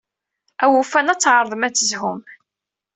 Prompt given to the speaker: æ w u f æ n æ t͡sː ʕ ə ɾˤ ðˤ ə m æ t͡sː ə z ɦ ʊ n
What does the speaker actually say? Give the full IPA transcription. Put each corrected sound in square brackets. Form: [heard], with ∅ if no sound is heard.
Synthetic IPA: æ w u f æ n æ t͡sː ʕ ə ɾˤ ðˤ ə m æ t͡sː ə z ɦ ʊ [m]